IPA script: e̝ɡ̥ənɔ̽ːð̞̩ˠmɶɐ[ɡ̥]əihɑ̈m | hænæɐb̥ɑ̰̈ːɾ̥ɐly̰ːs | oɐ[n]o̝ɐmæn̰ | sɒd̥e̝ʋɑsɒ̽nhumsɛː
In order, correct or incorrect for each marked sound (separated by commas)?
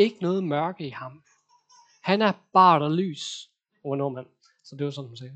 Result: correct, correct